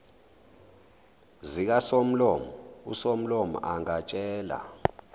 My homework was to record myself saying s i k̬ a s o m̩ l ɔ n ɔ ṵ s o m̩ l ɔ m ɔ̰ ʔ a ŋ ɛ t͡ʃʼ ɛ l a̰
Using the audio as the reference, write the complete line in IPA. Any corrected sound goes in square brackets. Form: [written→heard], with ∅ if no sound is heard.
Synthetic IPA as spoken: [s→z] i k̬ a s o m̩ l ɔ [n→m] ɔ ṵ s o m̩ l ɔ m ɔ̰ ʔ a ŋ [ɛ→a] t͡ʃʼ [ɛ→ɛː] l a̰